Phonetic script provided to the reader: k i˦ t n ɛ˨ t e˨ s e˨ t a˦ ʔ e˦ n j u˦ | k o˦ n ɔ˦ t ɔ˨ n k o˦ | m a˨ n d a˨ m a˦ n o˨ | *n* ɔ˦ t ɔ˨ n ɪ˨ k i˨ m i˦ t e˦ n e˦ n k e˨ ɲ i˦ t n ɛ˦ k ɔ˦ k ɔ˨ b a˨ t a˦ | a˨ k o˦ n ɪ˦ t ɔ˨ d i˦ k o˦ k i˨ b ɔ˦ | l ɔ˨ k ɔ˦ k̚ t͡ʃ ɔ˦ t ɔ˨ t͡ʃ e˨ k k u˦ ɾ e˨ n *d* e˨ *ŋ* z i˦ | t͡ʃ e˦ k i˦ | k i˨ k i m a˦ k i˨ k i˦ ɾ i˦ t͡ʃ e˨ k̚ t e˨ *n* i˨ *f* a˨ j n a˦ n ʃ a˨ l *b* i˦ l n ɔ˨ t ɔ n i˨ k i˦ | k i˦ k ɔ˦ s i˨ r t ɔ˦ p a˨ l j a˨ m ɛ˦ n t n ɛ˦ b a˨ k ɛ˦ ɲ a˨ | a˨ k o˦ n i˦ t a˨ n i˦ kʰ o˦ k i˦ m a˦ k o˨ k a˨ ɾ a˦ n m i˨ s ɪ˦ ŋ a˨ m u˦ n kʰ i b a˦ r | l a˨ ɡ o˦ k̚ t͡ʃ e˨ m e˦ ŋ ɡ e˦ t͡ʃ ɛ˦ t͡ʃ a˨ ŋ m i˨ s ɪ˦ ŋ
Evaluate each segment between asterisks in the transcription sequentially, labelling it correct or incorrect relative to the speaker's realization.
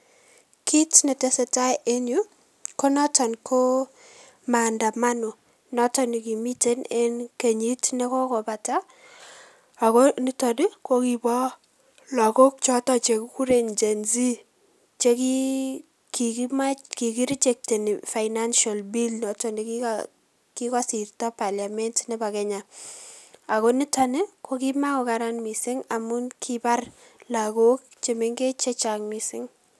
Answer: correct, incorrect: d͡ʒ, incorrect: n, correct, correct, correct

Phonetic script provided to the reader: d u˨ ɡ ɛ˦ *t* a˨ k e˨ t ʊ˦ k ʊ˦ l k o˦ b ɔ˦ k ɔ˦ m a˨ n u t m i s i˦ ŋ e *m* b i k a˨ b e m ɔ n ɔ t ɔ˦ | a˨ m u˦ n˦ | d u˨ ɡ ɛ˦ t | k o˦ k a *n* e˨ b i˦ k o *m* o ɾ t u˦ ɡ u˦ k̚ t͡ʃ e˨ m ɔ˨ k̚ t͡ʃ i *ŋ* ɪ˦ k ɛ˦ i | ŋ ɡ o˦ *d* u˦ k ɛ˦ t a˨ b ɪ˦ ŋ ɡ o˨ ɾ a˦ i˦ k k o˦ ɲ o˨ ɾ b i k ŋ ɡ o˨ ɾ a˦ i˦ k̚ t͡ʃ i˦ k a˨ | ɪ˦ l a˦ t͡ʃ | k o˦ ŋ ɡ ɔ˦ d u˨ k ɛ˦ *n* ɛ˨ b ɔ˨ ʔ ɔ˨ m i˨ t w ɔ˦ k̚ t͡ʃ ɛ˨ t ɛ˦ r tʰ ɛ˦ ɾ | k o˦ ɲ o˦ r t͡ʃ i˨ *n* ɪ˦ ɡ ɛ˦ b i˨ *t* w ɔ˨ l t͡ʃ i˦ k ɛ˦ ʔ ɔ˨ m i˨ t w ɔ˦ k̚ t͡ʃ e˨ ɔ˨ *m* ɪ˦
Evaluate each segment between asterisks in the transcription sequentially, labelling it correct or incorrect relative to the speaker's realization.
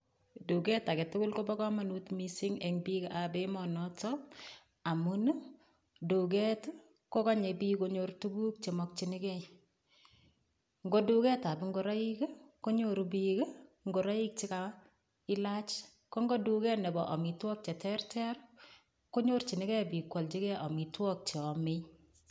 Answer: correct, incorrect: ŋ, incorrect: ɲ, incorrect: ɲ, incorrect: n, correct, correct, correct, incorrect: k, correct

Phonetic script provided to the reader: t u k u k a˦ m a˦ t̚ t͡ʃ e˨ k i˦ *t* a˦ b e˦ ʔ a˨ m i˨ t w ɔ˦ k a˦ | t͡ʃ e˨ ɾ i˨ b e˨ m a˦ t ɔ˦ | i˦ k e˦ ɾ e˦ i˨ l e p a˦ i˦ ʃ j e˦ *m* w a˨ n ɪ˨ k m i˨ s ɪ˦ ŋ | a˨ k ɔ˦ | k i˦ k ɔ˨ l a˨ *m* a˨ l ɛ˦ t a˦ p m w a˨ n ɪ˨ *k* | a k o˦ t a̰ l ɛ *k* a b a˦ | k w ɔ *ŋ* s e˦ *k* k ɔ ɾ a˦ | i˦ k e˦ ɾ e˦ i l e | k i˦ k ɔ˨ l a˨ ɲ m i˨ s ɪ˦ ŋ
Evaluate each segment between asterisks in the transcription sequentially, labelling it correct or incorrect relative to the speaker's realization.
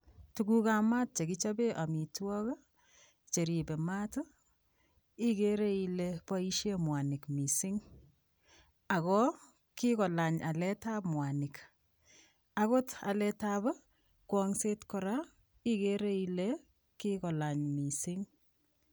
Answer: incorrect: t͡ʃ, correct, incorrect: ɲ, correct, incorrect: t, correct, incorrect: t

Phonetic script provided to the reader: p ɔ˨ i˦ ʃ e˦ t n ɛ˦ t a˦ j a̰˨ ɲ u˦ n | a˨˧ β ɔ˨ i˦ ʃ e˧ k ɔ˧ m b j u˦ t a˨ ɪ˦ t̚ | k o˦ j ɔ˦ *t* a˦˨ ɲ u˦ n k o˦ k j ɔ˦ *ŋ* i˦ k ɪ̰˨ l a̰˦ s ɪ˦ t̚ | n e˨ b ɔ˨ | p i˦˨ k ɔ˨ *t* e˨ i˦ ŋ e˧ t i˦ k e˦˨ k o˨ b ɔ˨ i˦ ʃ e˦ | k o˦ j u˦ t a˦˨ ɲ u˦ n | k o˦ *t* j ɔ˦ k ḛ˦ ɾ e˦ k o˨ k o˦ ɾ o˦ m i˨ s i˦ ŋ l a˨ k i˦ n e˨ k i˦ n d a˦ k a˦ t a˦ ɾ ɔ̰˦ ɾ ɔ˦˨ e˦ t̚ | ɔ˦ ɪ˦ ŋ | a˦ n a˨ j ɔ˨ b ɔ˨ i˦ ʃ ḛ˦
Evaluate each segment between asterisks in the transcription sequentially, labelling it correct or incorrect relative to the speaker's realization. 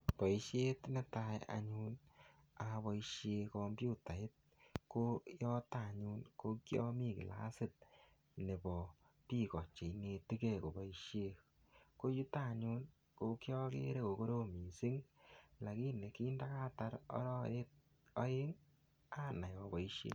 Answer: correct, incorrect: m, incorrect: t͡ʃ, incorrect: k

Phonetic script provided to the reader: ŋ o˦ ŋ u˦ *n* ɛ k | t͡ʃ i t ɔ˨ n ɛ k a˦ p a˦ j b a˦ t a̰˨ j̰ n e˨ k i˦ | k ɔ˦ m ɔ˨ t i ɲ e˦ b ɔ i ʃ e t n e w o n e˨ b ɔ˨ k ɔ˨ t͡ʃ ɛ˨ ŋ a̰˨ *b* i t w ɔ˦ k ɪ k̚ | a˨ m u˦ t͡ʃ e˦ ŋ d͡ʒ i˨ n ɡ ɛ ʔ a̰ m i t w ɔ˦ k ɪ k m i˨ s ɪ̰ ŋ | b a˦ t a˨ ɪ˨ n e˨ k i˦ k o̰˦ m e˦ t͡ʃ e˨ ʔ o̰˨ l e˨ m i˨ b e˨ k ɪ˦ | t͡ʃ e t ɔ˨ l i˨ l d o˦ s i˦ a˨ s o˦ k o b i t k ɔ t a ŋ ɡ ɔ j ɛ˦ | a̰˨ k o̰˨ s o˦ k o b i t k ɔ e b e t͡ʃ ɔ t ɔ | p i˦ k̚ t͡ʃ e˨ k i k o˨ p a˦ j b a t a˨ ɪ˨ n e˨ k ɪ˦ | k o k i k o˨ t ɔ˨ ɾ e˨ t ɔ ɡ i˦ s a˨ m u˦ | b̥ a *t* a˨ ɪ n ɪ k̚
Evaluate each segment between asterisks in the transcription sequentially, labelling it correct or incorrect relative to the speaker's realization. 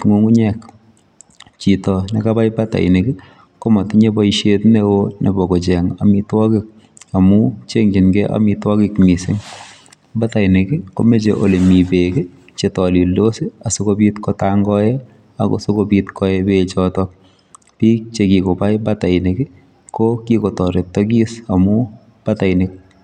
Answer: incorrect: ɲ, incorrect: m, correct

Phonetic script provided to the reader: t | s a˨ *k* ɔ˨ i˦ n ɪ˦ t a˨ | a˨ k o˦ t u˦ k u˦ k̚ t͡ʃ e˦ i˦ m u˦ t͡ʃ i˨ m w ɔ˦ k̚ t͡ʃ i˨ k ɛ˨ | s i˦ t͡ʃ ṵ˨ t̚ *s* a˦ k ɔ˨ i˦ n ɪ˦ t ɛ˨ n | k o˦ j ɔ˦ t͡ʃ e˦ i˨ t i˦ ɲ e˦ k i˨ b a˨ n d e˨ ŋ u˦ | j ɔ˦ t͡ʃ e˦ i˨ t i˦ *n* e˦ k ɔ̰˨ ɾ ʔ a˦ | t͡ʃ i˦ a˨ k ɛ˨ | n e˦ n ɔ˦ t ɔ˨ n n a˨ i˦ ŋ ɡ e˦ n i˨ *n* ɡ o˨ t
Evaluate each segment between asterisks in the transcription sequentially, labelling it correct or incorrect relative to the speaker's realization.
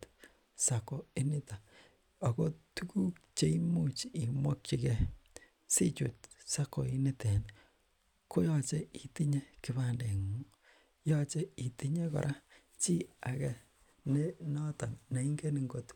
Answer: correct, correct, incorrect: ɲ, incorrect: ŋ

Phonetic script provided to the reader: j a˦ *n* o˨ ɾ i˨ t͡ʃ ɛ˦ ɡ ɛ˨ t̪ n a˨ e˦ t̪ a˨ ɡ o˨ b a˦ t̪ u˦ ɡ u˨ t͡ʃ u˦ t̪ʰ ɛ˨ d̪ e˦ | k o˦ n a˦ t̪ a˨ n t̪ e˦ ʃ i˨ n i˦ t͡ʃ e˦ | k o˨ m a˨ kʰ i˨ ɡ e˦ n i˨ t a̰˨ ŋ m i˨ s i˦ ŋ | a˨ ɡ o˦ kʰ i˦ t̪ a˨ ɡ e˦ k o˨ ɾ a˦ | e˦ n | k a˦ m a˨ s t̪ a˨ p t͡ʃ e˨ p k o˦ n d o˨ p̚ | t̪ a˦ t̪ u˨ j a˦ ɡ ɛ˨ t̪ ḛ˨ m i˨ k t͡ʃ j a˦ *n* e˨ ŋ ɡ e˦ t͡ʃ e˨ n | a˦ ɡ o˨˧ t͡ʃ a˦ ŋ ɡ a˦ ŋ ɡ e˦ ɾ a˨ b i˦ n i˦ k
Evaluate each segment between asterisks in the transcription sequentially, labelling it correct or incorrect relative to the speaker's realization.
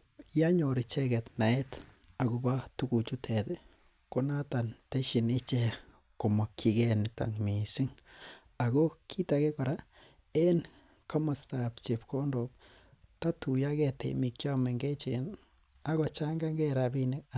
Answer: incorrect: ɲ, incorrect: m

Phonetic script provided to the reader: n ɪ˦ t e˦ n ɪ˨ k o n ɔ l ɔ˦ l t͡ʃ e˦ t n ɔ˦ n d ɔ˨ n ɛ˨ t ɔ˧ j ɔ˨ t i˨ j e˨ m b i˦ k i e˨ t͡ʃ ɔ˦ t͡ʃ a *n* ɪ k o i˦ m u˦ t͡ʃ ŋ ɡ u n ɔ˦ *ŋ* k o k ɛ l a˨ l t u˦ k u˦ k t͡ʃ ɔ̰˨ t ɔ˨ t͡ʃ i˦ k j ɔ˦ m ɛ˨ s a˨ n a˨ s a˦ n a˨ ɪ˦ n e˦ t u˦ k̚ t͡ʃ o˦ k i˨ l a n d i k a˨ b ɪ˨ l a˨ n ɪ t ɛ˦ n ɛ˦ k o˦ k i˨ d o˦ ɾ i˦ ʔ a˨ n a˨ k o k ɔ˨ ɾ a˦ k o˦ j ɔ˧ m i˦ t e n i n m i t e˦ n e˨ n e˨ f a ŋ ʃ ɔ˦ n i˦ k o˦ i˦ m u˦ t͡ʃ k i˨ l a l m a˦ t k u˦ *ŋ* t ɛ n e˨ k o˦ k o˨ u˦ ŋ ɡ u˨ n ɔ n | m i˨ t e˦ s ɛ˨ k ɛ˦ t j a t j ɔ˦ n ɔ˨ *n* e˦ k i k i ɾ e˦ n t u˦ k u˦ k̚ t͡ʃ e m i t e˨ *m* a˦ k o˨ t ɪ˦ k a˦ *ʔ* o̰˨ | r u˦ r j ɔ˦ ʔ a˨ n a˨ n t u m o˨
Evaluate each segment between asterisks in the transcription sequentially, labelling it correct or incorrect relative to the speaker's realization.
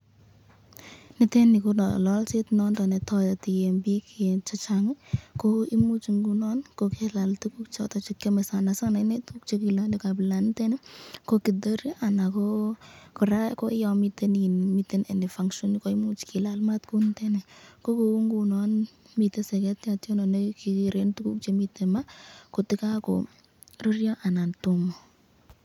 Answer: incorrect: ŋ, incorrect: n, incorrect: n, correct, correct, incorrect: k

